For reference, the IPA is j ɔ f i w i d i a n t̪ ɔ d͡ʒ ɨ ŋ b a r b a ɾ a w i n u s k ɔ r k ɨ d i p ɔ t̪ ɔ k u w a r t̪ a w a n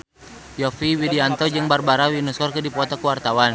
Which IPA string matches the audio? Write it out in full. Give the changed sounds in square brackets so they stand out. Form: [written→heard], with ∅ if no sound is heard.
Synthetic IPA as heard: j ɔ f i w i d i a n t̪ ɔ d͡ʒ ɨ ŋ b a r b a ɾ a w i n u s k ɔ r k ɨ d i p ɔ t̪ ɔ k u w a r t̪ a w a n